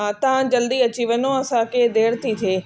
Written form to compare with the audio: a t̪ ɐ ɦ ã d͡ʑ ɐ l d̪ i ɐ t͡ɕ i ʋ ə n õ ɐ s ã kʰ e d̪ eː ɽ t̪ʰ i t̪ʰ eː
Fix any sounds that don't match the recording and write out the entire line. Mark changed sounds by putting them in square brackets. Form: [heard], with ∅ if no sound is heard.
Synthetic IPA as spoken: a t̪ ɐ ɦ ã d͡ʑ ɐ l d̪ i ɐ t͡ɕ i ʋ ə n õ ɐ s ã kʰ e d̪ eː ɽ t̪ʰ i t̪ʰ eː